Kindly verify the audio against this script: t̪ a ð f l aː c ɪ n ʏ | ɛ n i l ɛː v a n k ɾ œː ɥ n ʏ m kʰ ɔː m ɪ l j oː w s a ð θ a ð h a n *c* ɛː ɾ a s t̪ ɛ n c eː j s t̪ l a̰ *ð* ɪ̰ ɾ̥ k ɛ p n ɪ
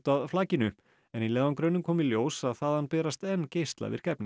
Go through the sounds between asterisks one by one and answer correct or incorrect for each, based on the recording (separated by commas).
incorrect, incorrect